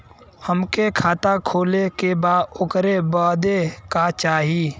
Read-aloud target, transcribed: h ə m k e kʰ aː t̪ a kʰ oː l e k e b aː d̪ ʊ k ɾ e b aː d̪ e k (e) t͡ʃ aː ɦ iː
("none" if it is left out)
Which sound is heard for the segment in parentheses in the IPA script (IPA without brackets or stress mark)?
a